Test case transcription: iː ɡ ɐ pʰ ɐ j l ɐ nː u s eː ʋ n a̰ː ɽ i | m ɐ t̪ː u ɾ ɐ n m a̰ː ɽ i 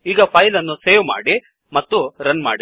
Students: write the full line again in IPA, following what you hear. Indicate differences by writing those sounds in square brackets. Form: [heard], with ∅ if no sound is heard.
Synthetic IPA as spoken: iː ɡ ɐ pʰ ɐ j l ɐ nː u s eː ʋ [m] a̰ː ɽ i | m ɐ t̪ː u ɾ ɐ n m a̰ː ɽ i

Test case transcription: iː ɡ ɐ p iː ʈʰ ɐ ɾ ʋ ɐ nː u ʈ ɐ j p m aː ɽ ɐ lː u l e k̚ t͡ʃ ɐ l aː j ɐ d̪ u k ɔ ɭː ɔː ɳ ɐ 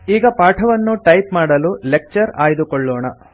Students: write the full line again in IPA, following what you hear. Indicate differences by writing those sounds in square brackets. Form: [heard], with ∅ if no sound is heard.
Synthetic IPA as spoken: iː ɡ ɐ p [aː] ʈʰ ɐ [∅] ʋ ɐ nː u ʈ ɐ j p m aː ɽ ɐ [l] u l e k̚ t͡ʃ ɐ [ɾ] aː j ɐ d̪ u k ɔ ɭː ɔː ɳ ɐ

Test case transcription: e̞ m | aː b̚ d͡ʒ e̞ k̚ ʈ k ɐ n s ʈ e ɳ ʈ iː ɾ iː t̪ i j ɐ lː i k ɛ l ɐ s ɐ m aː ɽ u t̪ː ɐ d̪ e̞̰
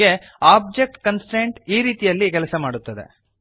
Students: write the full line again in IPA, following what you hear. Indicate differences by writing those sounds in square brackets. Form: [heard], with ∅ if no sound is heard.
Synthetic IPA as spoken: e̞ [∅] | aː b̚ d͡ʒ e̞ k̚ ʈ k ɐ n s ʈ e ɳ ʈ iː ɾ iː t̪ i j ɐ lː i k ɛ l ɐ s ɐ m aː ɽ u t̪ː ɐ d̪ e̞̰

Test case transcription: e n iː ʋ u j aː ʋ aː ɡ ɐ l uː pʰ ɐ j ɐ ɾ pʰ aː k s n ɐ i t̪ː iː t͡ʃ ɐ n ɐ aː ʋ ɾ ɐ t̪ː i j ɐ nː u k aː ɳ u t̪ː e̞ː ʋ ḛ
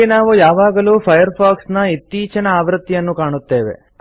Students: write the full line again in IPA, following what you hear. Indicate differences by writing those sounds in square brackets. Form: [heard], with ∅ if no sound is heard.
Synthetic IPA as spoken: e n [aː] ʋ u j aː ʋ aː ɡ ɐ l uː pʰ ɐ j ɐ ɾ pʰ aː k s n ɐ i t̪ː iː t͡ʃ ɐ n ɐ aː ʋ ɾ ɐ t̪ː i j ɐ nː u k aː ɳ u t̪ː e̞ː ʋ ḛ

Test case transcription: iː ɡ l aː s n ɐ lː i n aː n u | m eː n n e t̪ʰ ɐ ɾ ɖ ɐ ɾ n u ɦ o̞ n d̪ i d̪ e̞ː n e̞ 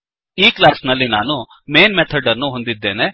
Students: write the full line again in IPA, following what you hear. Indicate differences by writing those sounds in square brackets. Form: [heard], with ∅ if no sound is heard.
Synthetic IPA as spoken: iː [k] l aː s n ɐ lː i n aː n u | m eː n [m] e t̪ʰ ɐ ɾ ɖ ɐ ɾ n u ɦ o̞ n d̪ i [d̪ː] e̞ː n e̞

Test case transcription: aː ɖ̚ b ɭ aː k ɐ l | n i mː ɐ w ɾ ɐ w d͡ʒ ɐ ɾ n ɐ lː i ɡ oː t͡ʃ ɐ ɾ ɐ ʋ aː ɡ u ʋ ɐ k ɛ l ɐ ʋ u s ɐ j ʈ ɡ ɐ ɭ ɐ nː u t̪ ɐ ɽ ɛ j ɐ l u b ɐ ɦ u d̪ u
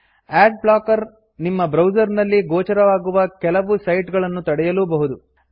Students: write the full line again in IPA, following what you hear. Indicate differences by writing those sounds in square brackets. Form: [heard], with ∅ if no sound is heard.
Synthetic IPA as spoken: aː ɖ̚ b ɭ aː k ɐ [ɾ] | n i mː ɐ [b] ɾ ɐ w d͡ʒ ɐ ɾ n ɐ lː i ɡ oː t͡ʃ ɐ ɾ ɐ ʋ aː ɡ u ʋ ɐ k ɛ l ɐ ʋ u s ɐ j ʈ ɡ ɐ ɭ ɐ nː u t̪ ɐ ɽ ɛ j ɐ l u b ɐ ɦ u d̪ u

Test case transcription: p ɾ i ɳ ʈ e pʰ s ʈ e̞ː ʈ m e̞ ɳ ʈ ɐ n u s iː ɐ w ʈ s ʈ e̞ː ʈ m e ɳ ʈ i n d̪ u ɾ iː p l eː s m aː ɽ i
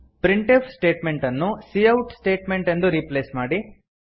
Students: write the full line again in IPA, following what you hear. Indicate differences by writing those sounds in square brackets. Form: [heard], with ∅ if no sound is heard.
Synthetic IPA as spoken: p ɾ i ɳ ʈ e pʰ s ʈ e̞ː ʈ m e̞ ɳ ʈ ɐ [nː] u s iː ɐ w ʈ s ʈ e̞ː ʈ m e ɳ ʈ [e] n d̪ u ɾ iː p l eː s m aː ɽ i

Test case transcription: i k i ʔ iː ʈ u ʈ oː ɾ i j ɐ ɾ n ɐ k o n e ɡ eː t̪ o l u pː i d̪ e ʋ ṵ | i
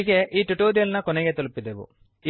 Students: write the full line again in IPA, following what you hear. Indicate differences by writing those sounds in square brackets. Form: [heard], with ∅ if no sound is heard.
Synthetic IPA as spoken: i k [e] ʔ iː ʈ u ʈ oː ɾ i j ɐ [l] n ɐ k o n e ɡ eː t̪ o l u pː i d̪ e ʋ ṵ | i

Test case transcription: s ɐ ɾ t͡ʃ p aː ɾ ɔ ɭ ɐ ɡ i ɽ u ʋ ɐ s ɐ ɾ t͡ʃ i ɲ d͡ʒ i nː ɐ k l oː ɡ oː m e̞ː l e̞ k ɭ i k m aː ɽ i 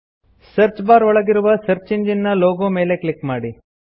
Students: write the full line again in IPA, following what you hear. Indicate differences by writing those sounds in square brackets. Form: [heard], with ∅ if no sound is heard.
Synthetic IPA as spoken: s ɐ ɾ t͡ʃ [b] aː ɾ ɔ ɭ ɐ ɡ i [ɾ] u ʋ ɐ s ɐ ɾ t͡ʃ i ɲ d͡ʒ i nː ɐ [∅] l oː ɡ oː m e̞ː l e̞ k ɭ i k m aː ɽ i

